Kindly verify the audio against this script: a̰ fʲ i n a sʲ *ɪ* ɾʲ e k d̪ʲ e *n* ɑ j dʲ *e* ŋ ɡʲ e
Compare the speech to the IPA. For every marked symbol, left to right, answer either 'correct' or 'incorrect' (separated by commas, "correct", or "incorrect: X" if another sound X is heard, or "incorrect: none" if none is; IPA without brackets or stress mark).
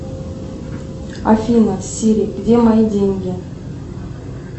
incorrect: i, incorrect: m, correct